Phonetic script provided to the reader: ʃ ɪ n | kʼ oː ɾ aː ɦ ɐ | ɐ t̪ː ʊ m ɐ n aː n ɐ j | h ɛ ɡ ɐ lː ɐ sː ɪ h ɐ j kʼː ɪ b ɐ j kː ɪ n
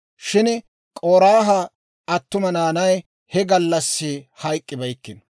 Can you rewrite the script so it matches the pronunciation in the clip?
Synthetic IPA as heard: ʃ ɪ n | kʼ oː ɾ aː ɦ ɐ | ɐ t̪ː ʊ m ɐ n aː n ɐ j | h ɛ ɡ ɐ lː ɐ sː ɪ h ɐ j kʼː ɪ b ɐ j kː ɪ n